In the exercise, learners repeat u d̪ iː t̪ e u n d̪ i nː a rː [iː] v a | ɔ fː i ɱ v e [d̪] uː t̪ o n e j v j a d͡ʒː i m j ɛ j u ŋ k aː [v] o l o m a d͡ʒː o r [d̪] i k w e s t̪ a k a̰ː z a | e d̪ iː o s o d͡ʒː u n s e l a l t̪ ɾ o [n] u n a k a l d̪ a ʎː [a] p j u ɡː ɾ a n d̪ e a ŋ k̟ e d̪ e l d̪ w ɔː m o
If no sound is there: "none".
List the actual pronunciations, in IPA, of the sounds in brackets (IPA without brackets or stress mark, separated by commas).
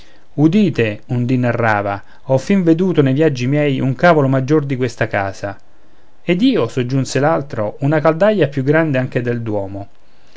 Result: aː, d̪, v, d̪, none, a